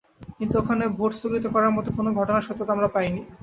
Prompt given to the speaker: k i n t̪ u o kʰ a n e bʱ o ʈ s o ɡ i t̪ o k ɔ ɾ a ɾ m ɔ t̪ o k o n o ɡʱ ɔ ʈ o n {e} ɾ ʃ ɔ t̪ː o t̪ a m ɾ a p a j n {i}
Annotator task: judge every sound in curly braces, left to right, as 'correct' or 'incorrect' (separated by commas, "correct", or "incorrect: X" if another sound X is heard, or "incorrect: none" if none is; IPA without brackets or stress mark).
incorrect: a, correct